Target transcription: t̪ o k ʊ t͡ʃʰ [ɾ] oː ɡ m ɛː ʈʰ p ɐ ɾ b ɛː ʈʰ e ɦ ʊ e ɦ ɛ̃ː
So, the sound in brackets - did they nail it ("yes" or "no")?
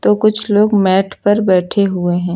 no